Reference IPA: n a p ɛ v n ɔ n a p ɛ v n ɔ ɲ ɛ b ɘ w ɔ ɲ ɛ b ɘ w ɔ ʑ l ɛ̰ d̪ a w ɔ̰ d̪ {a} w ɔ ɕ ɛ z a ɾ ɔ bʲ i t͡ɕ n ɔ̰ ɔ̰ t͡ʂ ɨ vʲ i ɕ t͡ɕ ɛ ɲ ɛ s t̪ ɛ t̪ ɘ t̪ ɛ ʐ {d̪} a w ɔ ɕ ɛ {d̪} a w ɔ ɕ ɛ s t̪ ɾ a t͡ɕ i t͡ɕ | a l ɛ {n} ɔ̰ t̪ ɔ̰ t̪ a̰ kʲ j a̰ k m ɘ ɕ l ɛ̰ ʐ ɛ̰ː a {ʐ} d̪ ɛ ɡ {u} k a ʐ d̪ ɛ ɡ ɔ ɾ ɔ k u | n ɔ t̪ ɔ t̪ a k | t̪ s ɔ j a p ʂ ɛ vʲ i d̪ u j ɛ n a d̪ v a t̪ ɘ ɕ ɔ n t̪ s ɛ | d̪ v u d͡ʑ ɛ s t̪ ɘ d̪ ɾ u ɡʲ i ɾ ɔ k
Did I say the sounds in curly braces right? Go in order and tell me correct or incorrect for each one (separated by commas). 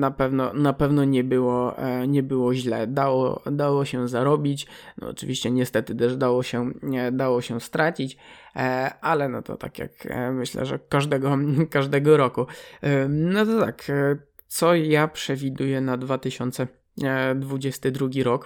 correct, correct, correct, correct, correct, incorrect